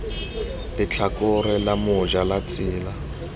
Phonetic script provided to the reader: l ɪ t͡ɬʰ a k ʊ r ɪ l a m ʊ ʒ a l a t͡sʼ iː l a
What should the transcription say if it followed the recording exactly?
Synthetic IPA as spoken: l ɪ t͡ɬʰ a k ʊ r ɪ l a m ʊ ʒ a l a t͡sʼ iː l a